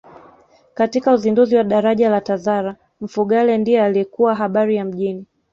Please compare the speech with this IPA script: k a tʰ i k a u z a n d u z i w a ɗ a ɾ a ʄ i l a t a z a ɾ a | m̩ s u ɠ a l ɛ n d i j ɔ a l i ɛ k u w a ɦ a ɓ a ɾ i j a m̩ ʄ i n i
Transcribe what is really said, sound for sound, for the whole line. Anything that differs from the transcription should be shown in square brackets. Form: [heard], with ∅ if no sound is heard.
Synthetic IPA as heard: k a [t] i k a u z [i] n d u z i w a ɗ a ɾ a ʄ [a] l a t a z a ɾ a | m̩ [f] u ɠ a l ɛ n d i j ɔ a l i ɛ k u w a ɦ a ɓ a ɾ i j a m̩ ʄ i n i